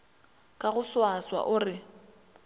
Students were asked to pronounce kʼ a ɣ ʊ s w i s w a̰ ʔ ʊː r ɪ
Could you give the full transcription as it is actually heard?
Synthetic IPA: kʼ a ɣ ʊ s w a s w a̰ ʔ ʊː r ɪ